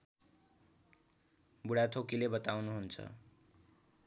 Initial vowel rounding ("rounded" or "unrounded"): rounded